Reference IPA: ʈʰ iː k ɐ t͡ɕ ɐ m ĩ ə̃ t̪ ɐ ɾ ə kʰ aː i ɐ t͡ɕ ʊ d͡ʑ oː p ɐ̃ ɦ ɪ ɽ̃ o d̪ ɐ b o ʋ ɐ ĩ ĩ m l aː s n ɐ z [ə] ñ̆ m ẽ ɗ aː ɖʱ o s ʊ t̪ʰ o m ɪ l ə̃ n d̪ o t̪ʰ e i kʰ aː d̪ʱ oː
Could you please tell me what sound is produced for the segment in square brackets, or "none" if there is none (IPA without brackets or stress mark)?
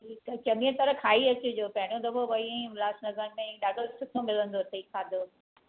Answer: ə